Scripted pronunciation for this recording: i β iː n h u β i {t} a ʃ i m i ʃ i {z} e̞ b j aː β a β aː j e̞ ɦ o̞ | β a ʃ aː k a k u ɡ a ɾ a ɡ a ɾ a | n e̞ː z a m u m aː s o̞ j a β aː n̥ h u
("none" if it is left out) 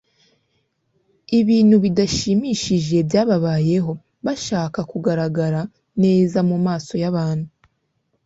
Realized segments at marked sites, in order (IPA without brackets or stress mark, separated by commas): d, ʒ